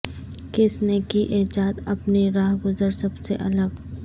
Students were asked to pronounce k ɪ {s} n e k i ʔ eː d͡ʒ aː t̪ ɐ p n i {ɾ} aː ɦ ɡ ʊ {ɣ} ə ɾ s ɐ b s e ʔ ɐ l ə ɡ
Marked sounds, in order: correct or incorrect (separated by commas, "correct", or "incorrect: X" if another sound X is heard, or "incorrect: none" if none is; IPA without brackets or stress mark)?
correct, correct, incorrect: z